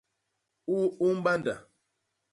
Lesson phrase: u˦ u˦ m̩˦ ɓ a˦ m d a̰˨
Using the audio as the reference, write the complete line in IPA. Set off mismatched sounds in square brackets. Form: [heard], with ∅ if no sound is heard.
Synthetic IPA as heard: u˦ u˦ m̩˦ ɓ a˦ [n] d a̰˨

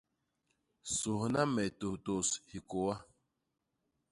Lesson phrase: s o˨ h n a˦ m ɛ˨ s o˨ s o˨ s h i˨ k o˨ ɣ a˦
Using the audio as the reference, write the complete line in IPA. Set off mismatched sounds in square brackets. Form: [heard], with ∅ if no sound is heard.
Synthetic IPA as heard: s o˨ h n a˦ m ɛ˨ [t] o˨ [t] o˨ s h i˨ k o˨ [w] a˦

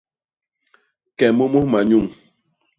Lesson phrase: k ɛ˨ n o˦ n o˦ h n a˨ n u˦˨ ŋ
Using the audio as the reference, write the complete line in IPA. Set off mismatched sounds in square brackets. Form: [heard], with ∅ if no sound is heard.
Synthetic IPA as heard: k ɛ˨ [m] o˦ [m] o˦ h [m] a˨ [ɲ] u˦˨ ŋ

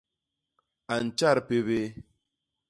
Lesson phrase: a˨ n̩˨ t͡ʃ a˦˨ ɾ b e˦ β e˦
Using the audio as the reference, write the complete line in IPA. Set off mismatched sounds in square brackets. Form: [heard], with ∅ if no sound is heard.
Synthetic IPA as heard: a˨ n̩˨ t͡ʃ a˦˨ ɾ [p] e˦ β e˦

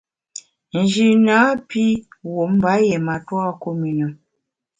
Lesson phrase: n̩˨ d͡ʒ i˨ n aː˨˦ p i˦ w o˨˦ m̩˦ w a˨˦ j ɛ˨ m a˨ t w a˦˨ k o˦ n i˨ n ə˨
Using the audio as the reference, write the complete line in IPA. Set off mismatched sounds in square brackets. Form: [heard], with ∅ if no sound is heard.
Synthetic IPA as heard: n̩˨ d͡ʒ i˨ n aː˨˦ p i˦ w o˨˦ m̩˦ [b] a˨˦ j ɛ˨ m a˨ t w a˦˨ k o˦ [m] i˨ n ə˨

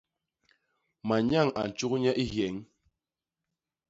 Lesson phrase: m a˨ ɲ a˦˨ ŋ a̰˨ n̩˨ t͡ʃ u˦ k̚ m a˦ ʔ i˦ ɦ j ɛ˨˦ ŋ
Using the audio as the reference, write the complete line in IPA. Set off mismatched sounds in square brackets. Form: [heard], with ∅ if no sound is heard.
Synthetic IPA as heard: m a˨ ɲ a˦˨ ŋ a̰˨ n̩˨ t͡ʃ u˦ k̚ [ɲ] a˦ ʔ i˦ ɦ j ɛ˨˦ ŋ

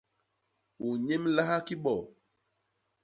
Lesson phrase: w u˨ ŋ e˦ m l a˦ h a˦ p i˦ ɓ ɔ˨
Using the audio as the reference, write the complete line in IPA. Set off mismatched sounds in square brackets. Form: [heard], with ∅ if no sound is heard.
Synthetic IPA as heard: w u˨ [ɲ] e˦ m l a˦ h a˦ [k] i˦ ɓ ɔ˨

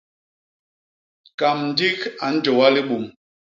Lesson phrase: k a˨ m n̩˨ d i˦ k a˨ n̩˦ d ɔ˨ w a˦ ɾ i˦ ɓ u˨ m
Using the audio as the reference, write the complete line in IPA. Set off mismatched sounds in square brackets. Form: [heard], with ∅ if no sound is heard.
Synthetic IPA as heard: k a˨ m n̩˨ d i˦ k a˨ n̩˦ [d͡ʒ] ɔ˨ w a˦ [l] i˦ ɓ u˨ m

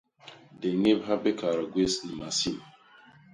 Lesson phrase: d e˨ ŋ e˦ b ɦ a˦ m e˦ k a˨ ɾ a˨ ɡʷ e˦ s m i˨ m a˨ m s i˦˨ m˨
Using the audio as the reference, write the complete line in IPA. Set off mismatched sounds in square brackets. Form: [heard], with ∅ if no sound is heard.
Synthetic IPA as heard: d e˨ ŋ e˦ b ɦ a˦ [b] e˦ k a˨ ɾ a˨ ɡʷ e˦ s [n] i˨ m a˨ [∅] s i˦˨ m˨

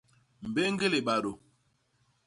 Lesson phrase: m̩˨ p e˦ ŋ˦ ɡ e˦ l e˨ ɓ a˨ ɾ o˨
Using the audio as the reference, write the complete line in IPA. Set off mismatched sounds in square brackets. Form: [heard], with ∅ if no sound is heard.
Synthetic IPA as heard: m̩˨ [b] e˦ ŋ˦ ɡ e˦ l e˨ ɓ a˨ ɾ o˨

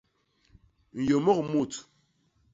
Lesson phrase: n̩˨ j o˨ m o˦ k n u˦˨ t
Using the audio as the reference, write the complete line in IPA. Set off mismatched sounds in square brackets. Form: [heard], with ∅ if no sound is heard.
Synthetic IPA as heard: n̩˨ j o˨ m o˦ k [m] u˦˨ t

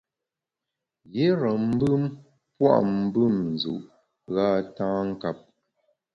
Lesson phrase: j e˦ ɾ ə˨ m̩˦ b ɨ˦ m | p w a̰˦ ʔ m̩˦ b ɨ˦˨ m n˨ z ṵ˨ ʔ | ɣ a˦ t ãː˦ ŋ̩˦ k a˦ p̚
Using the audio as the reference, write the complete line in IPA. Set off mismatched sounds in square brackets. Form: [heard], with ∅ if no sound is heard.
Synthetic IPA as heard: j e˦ ɾ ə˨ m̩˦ b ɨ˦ m | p w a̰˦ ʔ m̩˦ b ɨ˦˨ m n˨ z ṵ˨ ʔ | ɣ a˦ t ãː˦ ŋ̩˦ k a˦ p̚

